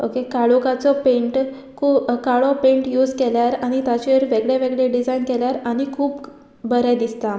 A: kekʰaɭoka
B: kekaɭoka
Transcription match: B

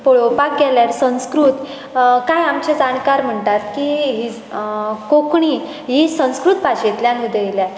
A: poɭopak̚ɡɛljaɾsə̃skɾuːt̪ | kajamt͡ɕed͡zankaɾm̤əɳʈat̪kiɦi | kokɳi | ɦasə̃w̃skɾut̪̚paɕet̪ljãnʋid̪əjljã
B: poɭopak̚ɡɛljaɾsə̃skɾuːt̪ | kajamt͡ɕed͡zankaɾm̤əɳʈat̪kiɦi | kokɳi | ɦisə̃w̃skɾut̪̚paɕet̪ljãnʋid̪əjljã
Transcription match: B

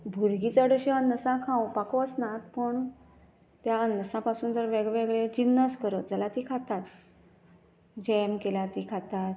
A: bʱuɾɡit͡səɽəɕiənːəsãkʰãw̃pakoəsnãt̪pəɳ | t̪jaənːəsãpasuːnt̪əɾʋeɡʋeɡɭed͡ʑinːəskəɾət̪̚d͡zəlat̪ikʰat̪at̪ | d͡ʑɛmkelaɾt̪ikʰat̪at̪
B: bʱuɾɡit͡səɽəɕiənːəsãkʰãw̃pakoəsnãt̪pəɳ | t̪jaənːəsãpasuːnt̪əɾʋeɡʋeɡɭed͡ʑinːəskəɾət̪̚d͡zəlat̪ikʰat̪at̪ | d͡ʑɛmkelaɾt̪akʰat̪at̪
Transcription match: A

